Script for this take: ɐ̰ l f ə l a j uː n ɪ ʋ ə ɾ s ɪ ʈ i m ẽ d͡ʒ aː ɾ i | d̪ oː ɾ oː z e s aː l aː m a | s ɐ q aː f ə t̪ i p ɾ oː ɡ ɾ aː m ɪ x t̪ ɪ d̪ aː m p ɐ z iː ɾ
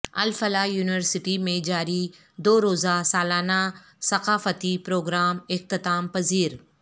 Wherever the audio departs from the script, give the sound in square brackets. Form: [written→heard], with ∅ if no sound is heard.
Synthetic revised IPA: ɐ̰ l f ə l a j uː n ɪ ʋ ə ɾ s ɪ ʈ i m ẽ d͡ʒ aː ɾ i | d̪ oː ɾ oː z [e→a] s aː l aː [m→n] a | s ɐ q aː f ə t̪ i p ɾ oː ɡ ɾ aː m ɪ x t̪ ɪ [d̪→t̪] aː m p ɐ z iː ɾ